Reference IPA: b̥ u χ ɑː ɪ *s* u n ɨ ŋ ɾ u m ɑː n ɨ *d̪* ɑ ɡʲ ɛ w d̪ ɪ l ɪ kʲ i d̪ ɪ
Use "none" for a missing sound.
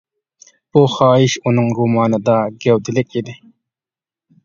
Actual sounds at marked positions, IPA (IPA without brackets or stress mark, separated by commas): ʃ, d̪